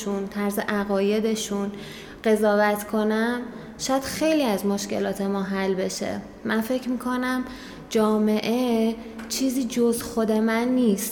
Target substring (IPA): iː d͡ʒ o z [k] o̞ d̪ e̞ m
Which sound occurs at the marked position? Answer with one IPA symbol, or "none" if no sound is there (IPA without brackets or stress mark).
x